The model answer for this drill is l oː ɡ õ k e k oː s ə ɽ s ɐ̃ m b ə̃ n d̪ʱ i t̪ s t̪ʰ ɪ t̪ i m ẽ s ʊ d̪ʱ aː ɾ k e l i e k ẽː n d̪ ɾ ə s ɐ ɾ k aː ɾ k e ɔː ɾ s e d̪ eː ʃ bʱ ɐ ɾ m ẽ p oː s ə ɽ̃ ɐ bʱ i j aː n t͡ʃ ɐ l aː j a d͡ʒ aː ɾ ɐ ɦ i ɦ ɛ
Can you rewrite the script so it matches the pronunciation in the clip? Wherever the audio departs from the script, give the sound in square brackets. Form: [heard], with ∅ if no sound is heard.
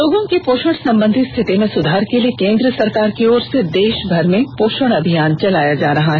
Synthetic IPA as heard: l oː ɡ õ k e [p] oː [ʃ] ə ɽ s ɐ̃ m b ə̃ n d̪ʱ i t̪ s t̪ʰ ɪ t̪ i m ẽ s ʊ d̪ʱ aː ɾ k e l i e k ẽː n d̪ ɾ ə s ɐ ɾ k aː ɾ k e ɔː ɾ s e d̪ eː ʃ bʱ ɐ ɾ m ẽ p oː [ʃ] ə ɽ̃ ɐ bʱ i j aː n t͡ʃ ɐ l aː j a d͡ʒ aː ɾ ɐ ɦ [a] ɦ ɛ